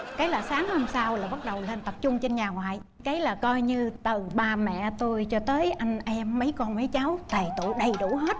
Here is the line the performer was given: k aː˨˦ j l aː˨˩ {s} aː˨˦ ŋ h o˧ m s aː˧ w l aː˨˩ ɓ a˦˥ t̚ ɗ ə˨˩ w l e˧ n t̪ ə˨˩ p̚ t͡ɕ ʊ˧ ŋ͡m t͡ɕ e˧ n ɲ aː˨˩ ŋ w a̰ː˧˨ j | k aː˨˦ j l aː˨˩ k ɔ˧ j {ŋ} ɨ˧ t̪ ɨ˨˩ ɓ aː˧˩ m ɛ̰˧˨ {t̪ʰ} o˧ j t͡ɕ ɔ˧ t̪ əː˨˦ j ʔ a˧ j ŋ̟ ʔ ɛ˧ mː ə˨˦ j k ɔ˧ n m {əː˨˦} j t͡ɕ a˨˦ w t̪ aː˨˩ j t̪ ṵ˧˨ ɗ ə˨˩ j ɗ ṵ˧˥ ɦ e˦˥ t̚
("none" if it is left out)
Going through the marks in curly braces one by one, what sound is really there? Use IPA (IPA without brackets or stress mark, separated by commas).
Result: s, ɲ, t̪, ə˨˦